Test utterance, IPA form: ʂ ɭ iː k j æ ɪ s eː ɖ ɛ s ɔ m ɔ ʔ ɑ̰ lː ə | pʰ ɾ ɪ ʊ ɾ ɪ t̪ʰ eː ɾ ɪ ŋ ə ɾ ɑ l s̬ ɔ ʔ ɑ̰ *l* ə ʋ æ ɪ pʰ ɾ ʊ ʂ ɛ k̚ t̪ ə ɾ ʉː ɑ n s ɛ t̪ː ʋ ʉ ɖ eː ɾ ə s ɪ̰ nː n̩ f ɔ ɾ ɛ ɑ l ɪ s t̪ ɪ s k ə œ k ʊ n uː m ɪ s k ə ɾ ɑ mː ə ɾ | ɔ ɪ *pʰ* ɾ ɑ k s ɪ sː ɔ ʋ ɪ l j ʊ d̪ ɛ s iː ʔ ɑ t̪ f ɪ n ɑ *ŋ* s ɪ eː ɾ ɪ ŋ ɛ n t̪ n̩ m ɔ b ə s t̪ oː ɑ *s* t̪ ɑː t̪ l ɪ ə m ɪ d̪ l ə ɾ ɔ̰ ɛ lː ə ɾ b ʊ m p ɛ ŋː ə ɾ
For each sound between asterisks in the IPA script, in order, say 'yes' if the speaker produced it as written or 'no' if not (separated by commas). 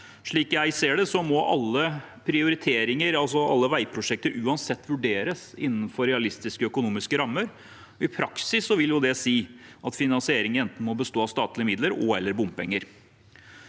no, yes, no, yes